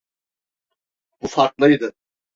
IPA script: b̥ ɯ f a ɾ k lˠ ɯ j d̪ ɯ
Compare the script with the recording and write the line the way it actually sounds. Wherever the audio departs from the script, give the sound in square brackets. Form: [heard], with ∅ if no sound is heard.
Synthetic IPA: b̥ [u] f a ɾ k lˠ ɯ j d̪ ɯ